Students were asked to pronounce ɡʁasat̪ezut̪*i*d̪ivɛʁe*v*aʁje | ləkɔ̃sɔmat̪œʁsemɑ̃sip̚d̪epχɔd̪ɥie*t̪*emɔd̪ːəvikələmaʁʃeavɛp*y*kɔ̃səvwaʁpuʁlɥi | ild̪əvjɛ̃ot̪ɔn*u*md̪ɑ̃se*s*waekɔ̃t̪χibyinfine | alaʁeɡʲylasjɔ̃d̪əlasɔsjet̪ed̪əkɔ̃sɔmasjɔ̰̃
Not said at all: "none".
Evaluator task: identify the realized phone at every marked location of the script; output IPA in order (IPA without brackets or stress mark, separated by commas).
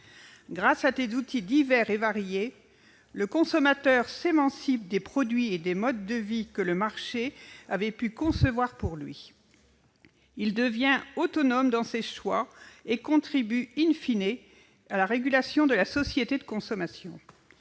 i, v, d̪, y, ɔ, ʃ